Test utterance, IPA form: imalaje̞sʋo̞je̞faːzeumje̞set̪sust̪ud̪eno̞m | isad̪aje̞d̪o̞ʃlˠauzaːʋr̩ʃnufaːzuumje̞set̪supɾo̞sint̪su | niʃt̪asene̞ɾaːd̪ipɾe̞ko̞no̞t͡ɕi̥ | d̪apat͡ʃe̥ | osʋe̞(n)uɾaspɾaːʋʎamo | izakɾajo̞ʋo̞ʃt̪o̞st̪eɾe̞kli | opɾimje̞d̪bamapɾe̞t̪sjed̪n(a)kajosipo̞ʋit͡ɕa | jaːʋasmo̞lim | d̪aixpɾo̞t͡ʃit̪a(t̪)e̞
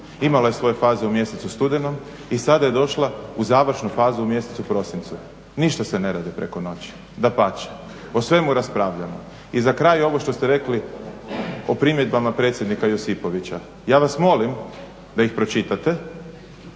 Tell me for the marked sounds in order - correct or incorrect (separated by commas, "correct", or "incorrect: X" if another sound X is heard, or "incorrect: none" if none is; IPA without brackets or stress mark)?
incorrect: m, incorrect: i, correct